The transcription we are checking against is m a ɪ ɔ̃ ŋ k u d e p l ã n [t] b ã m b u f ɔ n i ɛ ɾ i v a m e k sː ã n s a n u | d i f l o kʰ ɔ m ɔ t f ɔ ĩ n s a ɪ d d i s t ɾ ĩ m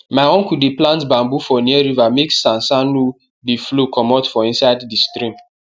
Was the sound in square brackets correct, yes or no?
yes